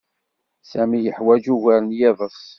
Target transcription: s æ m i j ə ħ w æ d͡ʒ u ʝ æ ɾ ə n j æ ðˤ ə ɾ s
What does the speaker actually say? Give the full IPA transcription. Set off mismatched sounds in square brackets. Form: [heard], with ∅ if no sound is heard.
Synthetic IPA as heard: s æ m i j ə ħ w æ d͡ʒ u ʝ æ ɾ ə n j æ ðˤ ə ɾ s